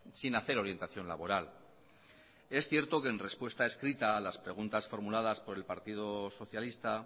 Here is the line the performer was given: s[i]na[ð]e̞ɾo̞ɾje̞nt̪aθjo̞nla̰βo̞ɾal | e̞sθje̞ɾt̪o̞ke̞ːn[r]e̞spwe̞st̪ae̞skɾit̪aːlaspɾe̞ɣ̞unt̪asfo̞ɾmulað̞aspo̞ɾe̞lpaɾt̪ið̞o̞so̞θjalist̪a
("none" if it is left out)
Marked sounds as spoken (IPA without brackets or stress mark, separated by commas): i, θ, r